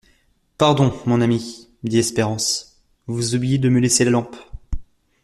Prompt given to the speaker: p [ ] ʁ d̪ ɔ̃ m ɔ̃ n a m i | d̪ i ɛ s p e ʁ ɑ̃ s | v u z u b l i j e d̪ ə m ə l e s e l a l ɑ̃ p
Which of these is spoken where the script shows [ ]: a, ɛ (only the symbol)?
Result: a